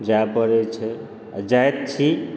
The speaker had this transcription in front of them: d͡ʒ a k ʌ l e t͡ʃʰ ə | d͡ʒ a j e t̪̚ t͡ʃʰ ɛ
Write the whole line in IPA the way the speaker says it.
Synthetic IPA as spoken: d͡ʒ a p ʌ ɾ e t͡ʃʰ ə | d͡ʒ a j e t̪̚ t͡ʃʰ i